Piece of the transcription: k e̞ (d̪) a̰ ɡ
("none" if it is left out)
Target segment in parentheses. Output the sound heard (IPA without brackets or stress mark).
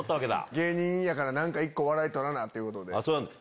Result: d̪